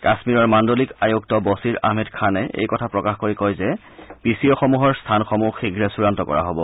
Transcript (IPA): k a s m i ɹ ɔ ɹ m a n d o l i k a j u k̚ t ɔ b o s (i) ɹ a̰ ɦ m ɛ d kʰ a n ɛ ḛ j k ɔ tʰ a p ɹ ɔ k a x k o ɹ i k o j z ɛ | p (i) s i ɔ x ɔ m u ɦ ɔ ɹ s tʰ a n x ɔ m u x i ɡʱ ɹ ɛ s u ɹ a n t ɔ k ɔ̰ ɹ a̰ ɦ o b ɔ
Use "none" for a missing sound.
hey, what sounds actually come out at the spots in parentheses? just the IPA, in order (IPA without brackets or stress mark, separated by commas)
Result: i, i